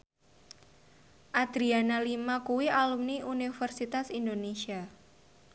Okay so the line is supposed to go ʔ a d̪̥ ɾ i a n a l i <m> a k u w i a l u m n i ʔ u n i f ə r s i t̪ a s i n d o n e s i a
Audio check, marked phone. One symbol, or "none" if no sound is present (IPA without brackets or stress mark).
m